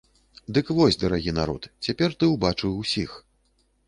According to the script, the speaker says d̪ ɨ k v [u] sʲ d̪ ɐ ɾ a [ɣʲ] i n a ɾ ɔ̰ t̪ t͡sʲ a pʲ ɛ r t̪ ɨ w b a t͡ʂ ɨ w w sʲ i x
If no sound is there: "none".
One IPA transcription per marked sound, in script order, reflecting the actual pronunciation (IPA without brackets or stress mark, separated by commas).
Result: ɔ, ɣʲ